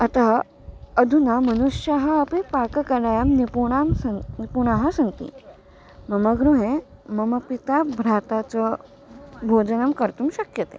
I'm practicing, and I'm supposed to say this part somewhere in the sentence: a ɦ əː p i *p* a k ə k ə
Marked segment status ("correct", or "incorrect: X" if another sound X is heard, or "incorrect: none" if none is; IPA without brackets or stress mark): correct